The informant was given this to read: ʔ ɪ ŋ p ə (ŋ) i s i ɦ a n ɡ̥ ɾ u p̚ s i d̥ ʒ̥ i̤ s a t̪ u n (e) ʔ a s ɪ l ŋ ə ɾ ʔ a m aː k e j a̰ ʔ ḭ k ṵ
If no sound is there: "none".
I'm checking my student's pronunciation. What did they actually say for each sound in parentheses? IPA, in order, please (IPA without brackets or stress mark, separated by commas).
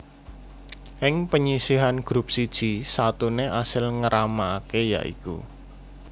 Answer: ɲ, e